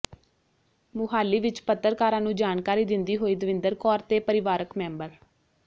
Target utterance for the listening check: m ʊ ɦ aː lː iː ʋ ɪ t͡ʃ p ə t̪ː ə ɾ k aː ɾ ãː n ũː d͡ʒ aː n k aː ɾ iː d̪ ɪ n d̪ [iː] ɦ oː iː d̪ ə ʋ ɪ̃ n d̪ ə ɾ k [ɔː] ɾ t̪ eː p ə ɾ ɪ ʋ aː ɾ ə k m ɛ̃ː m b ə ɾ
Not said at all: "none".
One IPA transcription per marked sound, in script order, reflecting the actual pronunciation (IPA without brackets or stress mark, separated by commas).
iː, ɔː